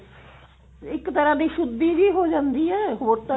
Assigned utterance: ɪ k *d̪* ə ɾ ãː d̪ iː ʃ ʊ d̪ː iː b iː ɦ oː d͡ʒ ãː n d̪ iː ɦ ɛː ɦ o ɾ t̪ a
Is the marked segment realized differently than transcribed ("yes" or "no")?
yes